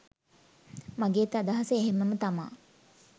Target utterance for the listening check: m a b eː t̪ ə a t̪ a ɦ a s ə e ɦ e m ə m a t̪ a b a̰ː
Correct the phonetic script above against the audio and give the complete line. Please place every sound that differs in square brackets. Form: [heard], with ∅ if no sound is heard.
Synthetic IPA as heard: m a [ɡ] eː t̪ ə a [d̪] a ɦ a s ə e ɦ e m ə m [ə] t̪ a [m] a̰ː